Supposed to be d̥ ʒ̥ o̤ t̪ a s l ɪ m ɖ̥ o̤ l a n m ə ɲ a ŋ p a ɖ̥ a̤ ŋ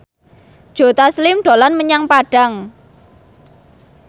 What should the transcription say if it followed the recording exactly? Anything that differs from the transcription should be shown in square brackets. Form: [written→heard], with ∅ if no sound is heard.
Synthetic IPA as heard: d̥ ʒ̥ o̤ t̪ a s l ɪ m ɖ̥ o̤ l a n m ə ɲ a ŋ p a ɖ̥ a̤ ŋ